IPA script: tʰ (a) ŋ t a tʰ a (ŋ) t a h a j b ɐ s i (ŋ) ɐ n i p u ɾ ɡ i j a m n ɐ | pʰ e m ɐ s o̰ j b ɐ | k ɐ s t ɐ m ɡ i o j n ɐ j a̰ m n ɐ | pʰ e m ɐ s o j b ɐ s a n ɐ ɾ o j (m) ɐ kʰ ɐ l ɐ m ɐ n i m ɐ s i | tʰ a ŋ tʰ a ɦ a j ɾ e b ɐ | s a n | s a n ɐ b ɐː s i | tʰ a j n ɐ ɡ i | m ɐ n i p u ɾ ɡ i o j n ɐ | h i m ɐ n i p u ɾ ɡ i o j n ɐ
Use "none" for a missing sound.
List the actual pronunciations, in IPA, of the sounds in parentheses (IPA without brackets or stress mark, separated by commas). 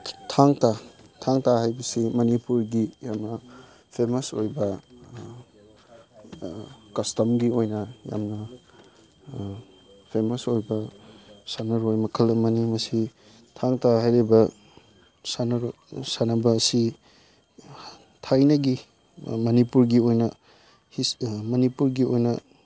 a, ŋ, m, m